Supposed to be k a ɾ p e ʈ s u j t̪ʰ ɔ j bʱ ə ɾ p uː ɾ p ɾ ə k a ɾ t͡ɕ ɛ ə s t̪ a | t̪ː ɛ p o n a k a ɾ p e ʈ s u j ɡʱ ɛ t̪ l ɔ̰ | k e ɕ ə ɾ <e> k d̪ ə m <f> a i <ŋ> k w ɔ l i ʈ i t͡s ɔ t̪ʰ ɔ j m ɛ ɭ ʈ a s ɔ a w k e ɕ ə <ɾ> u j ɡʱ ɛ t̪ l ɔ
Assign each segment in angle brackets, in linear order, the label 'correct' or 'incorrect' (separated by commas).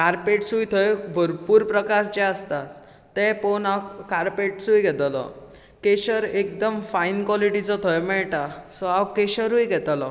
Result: correct, correct, incorrect, correct